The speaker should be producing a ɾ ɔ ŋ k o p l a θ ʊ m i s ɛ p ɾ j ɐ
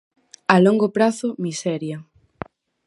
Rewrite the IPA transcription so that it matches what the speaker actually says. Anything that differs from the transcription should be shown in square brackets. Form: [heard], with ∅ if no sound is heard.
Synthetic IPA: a [l] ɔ ŋ [ɡ] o p [ɾ] a θ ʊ m i s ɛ [∅] ɾ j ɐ